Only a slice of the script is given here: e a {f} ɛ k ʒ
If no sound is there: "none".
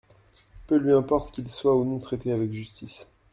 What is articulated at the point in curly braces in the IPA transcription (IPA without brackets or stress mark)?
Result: v